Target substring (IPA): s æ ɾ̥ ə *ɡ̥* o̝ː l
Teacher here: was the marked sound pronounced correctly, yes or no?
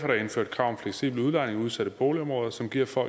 no